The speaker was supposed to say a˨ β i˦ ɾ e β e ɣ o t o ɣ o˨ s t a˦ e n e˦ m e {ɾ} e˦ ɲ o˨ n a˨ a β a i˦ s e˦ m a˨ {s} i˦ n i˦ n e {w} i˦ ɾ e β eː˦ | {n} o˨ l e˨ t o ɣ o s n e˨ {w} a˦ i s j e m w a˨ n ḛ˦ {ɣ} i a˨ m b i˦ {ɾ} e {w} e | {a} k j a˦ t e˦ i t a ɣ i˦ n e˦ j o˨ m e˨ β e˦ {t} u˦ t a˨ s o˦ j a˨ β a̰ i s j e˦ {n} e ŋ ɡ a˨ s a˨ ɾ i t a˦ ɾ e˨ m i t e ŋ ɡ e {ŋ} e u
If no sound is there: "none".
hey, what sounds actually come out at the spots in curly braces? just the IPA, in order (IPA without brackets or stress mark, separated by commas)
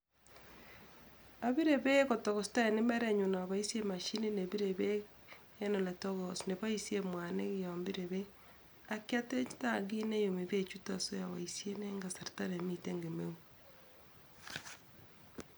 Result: ɾ, ʃ, β, n, β, ɣ, ɾ, β, a, t͡ʃ, n, m